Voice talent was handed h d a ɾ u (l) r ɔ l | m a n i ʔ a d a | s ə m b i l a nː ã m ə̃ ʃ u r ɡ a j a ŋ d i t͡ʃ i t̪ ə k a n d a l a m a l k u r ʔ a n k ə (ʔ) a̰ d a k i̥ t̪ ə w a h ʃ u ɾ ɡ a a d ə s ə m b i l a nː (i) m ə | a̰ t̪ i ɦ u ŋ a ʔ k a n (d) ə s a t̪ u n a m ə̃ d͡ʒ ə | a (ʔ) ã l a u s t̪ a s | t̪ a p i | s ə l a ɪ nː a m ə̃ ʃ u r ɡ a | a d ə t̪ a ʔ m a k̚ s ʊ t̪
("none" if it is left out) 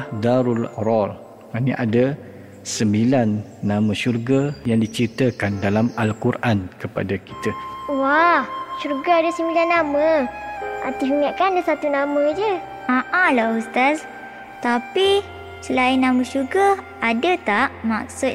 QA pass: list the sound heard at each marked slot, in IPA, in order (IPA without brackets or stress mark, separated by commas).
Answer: l, p, a, d, ʔ